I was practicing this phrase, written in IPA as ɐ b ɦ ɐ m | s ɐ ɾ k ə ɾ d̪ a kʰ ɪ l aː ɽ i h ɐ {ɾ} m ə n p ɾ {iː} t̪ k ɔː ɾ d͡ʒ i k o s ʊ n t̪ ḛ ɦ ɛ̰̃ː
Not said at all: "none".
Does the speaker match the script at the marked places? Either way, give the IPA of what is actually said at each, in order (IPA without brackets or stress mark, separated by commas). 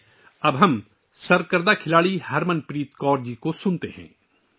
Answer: ɾ, iː